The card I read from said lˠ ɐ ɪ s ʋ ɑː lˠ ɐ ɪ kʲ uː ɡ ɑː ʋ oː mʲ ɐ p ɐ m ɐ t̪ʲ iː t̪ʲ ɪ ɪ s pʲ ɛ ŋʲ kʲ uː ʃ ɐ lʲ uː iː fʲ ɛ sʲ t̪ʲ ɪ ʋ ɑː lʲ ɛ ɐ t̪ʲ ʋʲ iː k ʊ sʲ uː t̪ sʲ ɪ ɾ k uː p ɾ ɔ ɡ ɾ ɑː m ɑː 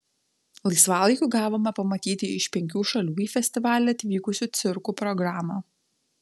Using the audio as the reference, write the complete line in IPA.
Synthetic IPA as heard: lˠ ɐ ɪ s ʋ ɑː lˠ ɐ ɪ kʲ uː ɡ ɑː ʋ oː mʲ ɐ p ɐ m ɐ t̪ʲ iː t̪ʲ ɪ ɪ ʃ pʲ ɛ ŋʲ kʲ uː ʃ ɐ lʲ uː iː fʲ ɛ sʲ t̪ʲ ɪ ʋ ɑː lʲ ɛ ɐ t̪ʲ ʋʲ iː k ʊ sʲ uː t̪ sʲ ɪ ɾ k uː p ɾ ɔ ɡ ɾ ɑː m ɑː